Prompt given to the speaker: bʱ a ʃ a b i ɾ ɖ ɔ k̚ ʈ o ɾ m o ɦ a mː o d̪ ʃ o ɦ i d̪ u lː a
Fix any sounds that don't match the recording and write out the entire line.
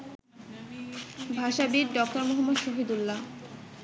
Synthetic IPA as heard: bʱ a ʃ a b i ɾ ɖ ɔ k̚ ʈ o ɾ m o ɦ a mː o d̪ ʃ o ɦ i d̪ u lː a